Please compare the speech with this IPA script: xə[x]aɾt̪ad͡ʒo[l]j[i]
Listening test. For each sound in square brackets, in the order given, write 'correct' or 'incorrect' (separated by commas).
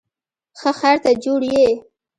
correct, incorrect, incorrect